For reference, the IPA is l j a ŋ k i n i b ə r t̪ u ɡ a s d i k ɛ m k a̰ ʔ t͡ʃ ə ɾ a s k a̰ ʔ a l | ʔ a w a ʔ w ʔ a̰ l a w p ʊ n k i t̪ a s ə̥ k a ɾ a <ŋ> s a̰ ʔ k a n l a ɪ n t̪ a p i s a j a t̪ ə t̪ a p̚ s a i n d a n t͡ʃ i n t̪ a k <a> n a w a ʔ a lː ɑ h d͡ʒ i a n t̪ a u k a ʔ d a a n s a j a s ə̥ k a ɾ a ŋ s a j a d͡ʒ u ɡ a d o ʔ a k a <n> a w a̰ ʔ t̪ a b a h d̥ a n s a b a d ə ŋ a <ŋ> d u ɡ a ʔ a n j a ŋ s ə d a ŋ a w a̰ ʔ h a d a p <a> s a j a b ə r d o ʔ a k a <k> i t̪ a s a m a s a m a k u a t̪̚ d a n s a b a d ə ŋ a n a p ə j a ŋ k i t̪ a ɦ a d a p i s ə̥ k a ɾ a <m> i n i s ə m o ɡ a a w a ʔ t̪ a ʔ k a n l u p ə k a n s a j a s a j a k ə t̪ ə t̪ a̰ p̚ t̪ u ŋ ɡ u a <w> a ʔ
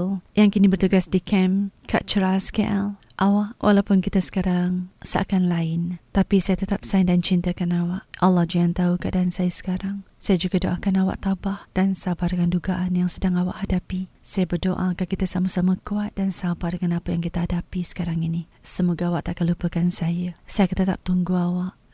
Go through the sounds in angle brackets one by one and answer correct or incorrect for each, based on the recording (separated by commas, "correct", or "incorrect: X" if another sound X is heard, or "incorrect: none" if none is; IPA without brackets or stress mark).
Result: correct, correct, correct, incorrect: n, incorrect: i, correct, incorrect: ŋ, correct